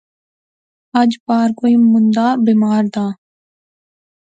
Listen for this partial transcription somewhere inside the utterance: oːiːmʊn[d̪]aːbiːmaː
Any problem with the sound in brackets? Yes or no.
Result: no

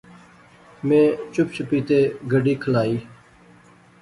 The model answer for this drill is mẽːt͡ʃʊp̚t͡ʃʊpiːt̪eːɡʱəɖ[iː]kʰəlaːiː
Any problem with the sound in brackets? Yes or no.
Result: no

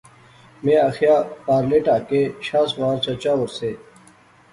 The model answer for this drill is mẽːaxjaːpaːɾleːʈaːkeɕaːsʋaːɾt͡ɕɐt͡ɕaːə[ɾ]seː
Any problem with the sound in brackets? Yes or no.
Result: no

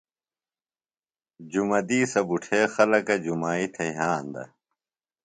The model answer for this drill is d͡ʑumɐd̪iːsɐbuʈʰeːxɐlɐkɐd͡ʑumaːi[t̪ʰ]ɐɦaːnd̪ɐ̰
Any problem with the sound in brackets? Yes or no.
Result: no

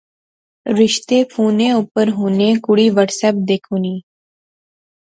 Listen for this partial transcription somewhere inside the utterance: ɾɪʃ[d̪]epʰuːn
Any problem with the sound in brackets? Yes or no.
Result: yes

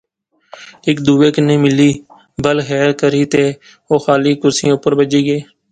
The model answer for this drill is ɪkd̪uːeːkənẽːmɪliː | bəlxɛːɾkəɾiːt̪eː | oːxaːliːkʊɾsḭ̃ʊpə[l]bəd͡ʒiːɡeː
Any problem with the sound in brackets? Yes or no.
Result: yes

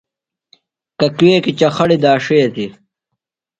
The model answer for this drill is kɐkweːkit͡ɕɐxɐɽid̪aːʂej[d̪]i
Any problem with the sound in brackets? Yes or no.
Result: yes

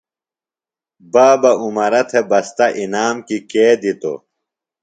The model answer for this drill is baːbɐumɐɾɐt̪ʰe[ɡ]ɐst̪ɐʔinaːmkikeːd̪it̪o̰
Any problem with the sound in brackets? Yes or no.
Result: yes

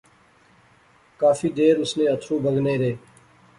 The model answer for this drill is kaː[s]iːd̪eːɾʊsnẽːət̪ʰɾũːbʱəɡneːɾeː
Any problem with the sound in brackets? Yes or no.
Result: yes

